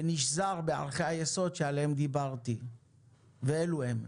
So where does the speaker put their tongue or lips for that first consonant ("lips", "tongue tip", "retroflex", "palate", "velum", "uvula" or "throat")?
tongue tip